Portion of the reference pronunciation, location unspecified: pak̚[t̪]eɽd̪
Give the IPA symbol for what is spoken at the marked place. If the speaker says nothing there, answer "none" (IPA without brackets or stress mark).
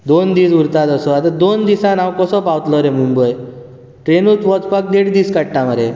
d̪